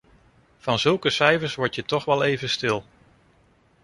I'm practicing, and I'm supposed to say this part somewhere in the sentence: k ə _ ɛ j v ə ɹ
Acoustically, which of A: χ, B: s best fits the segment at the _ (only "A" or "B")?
B